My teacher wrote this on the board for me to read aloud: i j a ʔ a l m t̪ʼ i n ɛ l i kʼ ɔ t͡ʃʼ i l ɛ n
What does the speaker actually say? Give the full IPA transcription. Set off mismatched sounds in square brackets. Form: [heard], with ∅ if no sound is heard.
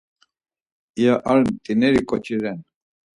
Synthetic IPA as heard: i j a ʔ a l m t̪ʼ i n ɛ [ɾ] i kʼ ɔ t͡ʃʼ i [ɾ] ɛ n